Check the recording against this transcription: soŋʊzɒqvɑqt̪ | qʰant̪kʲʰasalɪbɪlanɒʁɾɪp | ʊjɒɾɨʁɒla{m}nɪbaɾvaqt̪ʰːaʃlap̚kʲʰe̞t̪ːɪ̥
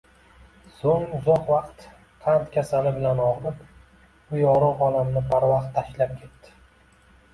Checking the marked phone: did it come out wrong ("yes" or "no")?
no